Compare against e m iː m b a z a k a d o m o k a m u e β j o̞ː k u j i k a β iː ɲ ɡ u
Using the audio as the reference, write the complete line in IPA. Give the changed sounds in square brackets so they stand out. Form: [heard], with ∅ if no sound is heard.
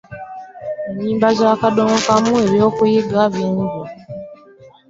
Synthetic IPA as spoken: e [ɲ] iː m b a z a k a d o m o k a m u e β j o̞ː k u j i [ɡ] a β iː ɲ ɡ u